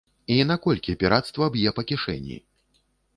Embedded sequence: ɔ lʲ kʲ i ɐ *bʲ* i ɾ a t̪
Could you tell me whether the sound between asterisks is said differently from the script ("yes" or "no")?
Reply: yes